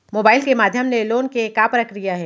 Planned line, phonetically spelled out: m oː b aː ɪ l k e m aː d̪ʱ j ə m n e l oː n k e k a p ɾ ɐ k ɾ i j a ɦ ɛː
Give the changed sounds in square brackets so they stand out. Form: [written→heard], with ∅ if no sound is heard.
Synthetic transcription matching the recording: m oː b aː ɪ l k e m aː d̪ʱ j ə m n e l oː n k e k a p ɾ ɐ k ɾ i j a ɦ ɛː